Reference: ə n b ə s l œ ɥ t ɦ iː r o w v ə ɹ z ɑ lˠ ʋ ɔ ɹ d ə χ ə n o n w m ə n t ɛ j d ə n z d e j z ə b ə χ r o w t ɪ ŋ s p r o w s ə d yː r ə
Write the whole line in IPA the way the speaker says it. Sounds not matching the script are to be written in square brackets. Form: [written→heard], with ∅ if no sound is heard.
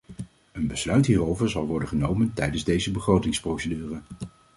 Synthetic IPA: ə n b ə s l œ ɥ t ɦ iː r o w v ə ɹ z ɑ lˠ ʋ ɔ ɹ d ə χ ə n o [n→∅] w m ə n t ɛ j d ə n z d e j z ə b ə χ r o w t ɪ ŋ s p r o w s ə d yː r ə